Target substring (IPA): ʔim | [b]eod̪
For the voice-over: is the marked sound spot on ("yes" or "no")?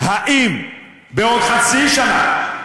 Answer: yes